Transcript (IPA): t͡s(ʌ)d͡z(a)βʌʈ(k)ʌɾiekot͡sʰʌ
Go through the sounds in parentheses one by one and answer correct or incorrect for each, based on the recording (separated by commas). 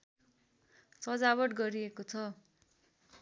correct, correct, incorrect